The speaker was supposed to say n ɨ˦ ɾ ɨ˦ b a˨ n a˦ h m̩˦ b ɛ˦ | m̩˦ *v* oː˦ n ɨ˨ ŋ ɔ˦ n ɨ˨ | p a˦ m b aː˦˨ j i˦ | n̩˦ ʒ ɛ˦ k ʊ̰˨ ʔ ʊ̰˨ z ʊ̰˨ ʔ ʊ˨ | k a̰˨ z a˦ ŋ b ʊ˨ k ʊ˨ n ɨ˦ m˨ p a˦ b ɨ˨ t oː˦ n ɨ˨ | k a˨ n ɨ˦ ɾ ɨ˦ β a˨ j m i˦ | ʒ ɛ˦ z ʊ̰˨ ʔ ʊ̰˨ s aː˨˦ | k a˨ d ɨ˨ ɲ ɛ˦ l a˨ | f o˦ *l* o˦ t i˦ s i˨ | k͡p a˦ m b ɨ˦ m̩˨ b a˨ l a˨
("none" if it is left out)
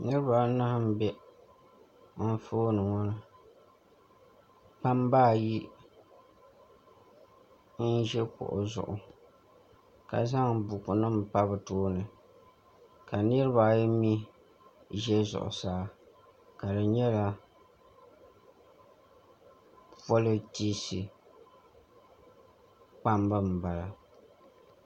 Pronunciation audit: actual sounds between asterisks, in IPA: f, l

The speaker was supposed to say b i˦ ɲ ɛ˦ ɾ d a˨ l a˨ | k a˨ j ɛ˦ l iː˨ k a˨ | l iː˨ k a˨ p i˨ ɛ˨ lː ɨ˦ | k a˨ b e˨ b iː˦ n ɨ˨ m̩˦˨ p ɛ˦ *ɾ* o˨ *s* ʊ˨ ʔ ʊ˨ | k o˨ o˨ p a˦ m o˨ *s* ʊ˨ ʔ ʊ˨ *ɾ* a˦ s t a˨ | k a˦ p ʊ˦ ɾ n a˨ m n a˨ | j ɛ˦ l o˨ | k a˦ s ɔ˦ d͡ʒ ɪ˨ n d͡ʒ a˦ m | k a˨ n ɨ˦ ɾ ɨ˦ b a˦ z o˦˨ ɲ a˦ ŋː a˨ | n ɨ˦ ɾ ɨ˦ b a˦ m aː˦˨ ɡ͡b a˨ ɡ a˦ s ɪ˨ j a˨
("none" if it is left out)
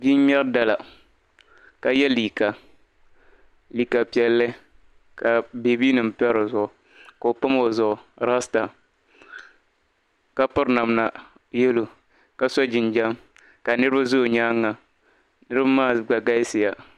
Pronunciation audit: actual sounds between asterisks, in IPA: ɾ, z, z, ɾ

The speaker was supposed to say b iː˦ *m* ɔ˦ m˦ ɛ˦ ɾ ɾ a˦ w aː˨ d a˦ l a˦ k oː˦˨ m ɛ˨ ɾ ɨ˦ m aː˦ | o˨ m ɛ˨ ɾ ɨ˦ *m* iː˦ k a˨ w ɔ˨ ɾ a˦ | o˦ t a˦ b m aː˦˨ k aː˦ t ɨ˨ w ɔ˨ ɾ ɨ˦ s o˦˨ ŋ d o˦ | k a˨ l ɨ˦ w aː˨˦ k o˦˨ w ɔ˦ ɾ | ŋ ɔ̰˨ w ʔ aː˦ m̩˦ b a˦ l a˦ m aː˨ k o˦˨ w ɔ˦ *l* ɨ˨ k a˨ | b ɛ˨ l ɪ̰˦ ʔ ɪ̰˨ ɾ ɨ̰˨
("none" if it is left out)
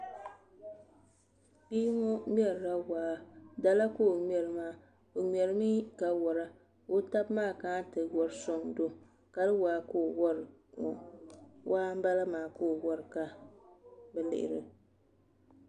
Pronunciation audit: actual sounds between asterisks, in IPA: ŋ, m, ɾ

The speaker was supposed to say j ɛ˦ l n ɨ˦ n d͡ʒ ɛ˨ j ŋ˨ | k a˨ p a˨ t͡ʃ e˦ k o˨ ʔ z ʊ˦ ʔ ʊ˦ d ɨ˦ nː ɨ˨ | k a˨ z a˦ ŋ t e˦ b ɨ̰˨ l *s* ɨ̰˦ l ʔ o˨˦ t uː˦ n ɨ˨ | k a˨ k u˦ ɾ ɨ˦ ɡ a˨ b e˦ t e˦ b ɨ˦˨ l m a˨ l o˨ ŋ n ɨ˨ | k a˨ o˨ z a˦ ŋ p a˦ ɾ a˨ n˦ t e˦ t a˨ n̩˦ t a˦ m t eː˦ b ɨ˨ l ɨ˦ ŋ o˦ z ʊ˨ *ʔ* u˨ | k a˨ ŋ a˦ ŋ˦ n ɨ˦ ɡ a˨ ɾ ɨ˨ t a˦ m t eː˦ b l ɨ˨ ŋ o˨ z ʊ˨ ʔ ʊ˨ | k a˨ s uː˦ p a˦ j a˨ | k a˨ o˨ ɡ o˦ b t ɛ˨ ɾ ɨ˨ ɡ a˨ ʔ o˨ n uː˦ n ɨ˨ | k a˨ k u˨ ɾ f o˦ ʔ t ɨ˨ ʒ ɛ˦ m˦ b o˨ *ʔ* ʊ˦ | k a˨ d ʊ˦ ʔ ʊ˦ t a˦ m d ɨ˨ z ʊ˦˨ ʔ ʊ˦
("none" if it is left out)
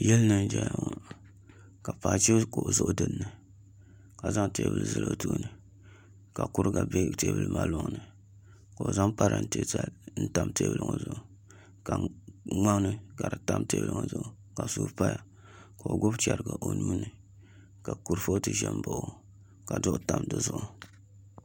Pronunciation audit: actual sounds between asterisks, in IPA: z, ʔ, ʔ

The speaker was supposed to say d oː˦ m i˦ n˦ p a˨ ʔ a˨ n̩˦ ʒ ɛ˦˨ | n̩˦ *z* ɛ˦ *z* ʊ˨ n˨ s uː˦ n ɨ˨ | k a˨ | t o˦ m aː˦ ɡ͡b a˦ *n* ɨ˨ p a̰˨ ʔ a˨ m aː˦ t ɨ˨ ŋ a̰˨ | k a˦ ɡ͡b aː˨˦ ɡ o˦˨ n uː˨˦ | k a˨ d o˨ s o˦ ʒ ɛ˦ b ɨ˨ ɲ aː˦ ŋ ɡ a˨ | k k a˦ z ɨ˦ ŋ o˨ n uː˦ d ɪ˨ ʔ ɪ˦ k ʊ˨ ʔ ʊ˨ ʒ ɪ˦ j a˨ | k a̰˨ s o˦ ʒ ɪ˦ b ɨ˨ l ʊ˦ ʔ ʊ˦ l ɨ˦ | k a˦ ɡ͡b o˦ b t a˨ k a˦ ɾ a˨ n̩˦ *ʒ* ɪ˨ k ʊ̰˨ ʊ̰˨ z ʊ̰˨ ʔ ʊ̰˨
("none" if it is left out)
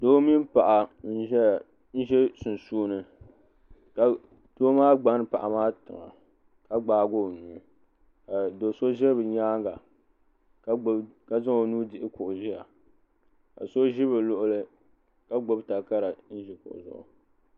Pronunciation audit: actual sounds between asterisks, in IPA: ʒ, s, n, ʒ

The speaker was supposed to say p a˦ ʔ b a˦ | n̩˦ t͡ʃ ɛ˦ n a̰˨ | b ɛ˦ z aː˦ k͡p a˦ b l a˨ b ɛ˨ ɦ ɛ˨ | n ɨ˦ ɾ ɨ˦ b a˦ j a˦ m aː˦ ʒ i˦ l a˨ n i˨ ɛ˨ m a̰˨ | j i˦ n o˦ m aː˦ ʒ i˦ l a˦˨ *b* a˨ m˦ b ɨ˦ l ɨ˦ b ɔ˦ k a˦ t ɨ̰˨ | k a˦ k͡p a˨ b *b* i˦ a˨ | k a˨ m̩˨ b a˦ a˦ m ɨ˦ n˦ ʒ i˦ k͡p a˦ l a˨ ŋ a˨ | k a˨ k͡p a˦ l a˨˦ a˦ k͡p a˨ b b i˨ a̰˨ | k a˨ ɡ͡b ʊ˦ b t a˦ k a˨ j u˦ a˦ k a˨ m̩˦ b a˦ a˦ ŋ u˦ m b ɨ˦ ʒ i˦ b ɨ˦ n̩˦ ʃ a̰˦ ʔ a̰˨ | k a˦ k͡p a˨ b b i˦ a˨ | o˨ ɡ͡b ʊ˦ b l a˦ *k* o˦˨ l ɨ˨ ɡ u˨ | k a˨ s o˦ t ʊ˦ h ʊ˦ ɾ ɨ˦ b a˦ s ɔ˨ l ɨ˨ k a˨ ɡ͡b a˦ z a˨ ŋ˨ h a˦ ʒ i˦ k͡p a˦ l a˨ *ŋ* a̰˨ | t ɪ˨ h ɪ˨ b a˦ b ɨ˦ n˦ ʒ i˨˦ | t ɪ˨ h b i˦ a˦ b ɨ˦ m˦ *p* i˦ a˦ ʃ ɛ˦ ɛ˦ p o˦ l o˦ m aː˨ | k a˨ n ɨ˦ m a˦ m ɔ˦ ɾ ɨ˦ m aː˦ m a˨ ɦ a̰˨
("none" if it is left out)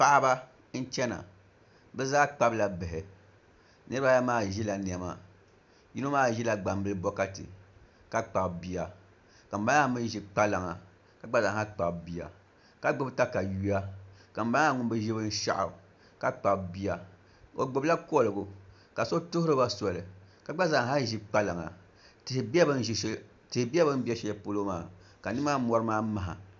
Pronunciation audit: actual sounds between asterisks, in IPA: ɡ͡b, b, k, ŋ, b

